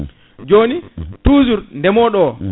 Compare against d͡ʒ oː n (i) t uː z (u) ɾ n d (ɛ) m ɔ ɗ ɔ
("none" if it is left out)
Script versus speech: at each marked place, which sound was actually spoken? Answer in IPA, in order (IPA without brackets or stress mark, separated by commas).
i, u, ɛ